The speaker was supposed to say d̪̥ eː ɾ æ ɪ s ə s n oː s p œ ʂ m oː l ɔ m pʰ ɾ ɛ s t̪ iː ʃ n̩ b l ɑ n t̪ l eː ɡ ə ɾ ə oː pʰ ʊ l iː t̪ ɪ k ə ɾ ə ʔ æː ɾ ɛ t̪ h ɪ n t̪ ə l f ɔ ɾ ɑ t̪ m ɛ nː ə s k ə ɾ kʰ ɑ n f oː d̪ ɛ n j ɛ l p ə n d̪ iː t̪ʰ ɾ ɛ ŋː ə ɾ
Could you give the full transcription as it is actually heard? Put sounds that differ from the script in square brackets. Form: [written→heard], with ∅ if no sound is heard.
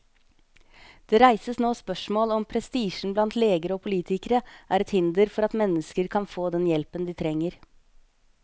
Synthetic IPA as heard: d̪̥ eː ɾ æ ɪ s ə s n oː s p œ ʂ m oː l ɔ m pʰ ɾ ɛ s t̪ iː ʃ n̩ b l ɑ n t̪ l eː ɡ ə ɾ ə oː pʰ ʊ l iː t̪ ɪ k ə ɾ ə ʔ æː ɾ ɛ t̪ h ɪ n [t̪→d̪] ə [l→ɾ] f ɔ ɾ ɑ t̪ m ɛ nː ə s k ə ɾ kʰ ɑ n f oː d̪ ɛ n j ɛ l p ə n d̪ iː t̪ʰ ɾ ɛ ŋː ə ɾ